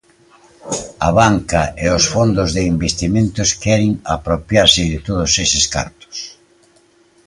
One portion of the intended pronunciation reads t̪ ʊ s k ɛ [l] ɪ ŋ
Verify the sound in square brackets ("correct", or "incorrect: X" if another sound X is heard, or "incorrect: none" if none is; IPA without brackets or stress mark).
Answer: incorrect: ɾ